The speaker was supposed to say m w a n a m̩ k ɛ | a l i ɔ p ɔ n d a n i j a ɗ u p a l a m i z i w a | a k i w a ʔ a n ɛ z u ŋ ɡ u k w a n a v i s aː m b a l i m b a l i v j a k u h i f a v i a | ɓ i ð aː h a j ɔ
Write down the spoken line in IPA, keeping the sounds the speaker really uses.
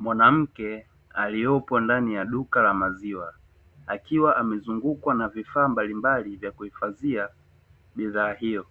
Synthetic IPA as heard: m w a n a m̩ k ɛ | a l i ɔ p ɔ n d a n i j a ɗ u k a l a m a z i w a | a k i w a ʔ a m ɛ z u ŋ ɡ u k w a n a v i f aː m b a l i m b a l i v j a k u h i f a z i a | ɓ i ð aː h i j ɔ